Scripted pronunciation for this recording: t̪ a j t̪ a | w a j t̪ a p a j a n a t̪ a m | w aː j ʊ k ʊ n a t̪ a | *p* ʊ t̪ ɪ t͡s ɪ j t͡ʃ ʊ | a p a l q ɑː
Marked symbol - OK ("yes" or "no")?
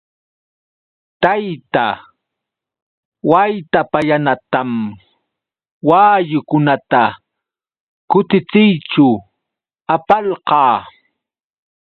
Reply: no